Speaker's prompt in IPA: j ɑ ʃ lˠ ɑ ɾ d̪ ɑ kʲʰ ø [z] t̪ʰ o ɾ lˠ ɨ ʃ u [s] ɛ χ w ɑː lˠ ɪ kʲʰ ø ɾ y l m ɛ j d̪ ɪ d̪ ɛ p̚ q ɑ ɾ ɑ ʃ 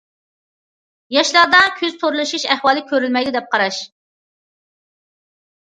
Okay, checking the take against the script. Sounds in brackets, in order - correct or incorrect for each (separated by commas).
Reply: correct, incorrect